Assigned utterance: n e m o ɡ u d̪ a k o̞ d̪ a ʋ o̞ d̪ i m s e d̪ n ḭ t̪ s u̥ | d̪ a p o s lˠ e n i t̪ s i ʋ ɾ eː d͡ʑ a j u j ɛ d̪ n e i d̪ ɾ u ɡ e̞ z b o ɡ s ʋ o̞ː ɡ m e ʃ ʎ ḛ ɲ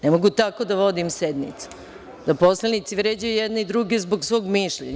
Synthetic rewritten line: n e m o ɡ u t̪ a k o̞ d̪ a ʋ o̞ d̪ i m s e d̪ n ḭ t̪ s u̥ | d̪ a p o s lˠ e n i t̪ s i ʋ ɾ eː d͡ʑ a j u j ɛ d̪ n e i d̪ ɾ u ɡ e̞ z b o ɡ s ʋ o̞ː ɡ m i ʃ ʎ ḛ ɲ